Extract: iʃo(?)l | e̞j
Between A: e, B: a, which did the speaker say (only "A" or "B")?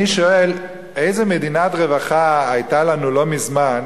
A